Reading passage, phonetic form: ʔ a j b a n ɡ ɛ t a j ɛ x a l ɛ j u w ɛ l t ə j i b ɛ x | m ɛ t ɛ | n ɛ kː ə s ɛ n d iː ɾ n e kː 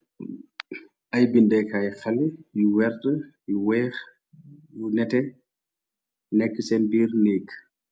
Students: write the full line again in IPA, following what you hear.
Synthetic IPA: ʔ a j b i n d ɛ k a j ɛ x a l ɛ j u w ɛ ɾ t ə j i w ɛ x | n ɛ t ɛ | n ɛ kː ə s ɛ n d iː ɾ n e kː